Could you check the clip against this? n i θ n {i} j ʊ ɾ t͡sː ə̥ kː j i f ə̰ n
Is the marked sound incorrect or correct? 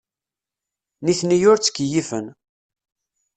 correct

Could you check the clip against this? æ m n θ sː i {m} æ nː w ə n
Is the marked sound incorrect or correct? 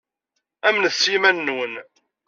correct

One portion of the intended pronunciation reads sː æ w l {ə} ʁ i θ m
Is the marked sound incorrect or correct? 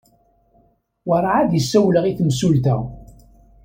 correct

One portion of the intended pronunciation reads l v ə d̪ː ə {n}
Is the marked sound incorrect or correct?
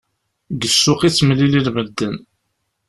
correct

